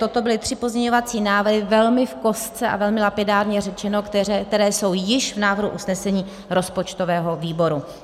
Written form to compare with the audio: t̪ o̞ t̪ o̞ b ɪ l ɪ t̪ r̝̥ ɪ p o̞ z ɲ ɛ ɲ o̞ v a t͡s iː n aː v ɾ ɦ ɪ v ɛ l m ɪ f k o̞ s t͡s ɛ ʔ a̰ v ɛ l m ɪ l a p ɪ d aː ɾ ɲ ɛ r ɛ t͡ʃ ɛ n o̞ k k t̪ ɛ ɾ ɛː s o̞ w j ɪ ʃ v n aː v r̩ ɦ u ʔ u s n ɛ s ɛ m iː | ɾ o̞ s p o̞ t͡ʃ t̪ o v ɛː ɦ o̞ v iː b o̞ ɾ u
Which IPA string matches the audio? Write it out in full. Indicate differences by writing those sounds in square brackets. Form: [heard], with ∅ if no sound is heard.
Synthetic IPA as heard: t̪ o̞ t̪ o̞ b ɪ l ɪ t̪ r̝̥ ɪ p o̞ z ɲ ɛ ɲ o̞ v a t͡s iː n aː v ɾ ɦ ɪ v ɛ l m ɪ f k o̞ s t͡s ɛ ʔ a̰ v ɛ l m ɪ l a p ɪ d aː ɾ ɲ ɛ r ɛ t͡ʃ ɛ n o̞ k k t̪ ɛ ɾ ɛː s o̞ w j ɪ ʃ v n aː v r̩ ɦ u ʔ u s n ɛ s ɛ [ɲ] iː | ɾ o̞ s p o̞ t͡ʃ t̪ o v ɛː ɦ o̞ v iː b o̞ ɾ u